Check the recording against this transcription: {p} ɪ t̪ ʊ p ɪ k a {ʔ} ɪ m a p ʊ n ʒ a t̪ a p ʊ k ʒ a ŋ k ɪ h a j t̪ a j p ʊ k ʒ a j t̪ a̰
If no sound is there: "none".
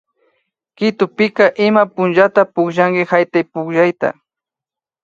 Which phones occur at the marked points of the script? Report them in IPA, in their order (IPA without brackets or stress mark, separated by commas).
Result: k, ʔ